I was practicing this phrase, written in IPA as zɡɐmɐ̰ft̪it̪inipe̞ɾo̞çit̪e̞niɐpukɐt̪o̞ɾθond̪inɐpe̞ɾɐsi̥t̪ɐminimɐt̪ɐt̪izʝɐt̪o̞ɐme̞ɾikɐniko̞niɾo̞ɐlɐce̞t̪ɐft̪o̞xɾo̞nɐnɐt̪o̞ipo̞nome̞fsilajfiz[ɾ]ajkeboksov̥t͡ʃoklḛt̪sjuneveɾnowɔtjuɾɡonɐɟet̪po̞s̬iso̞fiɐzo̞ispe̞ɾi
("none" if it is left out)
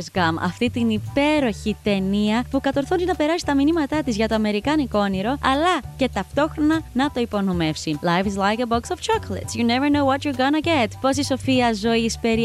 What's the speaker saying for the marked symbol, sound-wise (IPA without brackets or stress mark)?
l